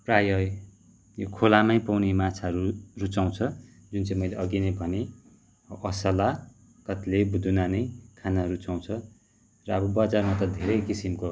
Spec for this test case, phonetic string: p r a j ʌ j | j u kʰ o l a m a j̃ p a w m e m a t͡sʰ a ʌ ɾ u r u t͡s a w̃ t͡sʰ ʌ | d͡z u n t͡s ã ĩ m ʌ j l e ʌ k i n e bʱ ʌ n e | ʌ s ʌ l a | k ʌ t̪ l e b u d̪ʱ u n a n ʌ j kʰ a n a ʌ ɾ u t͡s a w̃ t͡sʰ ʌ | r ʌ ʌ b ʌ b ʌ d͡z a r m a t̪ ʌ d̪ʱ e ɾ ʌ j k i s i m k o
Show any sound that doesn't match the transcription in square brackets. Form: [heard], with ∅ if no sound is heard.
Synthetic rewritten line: p r a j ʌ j | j [o] kʰ o l a m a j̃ p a w [n] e m a t͡sʰ a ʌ ɾ u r u t͡s a w̃ t͡sʰ ʌ | d͡z u n t͡s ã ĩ m ʌ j l e ʌ [ɡ] i n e bʱ ʌ n e | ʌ s ʌ l a | k ʌ t̪ l e b u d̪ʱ u n a n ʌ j kʰ a n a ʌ ɾ u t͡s a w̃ t͡sʰ ʌ | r ʌ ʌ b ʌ b ʌ d͡z a r m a t̪ ʌ d̪ʱ e ɾ ʌ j k i s i m k o